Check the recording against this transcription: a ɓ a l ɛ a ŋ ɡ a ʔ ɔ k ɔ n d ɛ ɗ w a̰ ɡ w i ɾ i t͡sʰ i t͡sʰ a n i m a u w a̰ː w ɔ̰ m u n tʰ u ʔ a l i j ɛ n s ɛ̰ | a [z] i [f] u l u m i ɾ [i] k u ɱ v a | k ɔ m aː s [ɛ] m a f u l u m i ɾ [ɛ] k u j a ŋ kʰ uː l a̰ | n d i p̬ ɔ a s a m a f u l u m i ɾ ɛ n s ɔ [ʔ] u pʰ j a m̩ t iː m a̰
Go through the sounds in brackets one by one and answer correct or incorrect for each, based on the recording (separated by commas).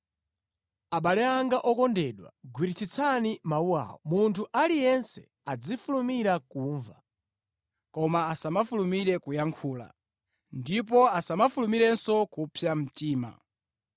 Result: incorrect, correct, incorrect, incorrect, correct, incorrect